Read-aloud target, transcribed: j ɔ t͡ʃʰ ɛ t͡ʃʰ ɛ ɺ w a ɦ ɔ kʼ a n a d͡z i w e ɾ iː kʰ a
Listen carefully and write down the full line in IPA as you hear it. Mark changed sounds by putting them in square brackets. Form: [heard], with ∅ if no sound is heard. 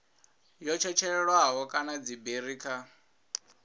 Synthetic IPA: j ɔ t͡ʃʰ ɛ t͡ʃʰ ɛ ɺ w a ɦ ɔ kʼ a n a d͡z i [b] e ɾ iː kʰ a